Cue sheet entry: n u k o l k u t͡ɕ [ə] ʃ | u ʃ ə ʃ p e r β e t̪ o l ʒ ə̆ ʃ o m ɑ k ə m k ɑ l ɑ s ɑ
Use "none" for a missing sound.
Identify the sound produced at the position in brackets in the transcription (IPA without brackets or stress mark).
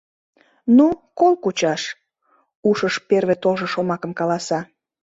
ɑ